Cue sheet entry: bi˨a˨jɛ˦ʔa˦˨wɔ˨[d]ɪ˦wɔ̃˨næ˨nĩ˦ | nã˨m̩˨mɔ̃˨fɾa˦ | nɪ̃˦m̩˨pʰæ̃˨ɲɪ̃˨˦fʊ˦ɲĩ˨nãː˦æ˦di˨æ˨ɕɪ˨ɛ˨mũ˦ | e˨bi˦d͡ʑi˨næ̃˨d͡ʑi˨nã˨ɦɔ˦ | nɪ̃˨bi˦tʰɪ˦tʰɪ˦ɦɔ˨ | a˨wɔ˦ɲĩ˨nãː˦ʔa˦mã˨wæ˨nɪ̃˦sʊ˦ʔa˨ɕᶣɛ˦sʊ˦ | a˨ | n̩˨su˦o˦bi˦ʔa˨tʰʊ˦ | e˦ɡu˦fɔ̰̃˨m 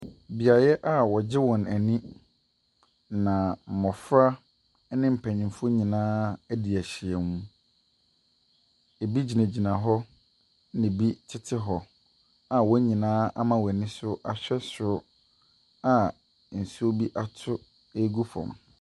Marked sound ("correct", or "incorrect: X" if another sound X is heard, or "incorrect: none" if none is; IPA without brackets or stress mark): incorrect: d͡ʑ